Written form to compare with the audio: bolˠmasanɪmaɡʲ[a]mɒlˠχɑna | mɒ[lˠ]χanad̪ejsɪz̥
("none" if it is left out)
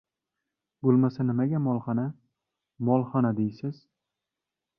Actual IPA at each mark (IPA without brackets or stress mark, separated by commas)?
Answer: a, lˠ